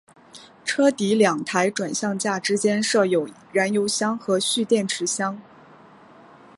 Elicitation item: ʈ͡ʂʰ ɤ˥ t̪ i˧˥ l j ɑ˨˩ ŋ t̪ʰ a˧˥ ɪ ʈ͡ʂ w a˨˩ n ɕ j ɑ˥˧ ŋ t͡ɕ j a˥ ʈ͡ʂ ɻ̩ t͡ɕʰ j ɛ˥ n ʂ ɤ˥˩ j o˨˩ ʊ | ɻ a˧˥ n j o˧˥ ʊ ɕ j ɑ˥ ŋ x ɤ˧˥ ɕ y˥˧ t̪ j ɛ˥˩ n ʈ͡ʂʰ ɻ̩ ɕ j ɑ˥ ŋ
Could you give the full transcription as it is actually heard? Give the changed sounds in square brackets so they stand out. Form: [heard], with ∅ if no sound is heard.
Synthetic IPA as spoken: ʈ͡ʂʰ ɤ˥ t̪ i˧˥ l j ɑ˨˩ ŋ t̪ʰ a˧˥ ɪ ʈ͡ʂ w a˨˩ n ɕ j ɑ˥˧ ŋ t͡ɕ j [a˥˩] ʈ͡ʂ ɻ̩ [t͡ɕ] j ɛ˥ n ʂ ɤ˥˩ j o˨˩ ʊ | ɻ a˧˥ n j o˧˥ ʊ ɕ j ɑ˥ ŋ x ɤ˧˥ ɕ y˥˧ t̪ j ɛ˥˩ n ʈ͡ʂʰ ɻ̩ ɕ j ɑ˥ ŋ